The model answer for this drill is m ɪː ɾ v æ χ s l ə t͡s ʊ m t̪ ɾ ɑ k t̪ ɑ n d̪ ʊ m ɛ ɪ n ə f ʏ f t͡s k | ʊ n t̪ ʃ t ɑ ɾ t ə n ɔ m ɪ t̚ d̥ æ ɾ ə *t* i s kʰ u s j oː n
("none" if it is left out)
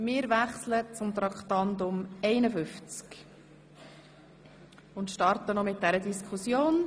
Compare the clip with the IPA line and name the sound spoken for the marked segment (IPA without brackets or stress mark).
d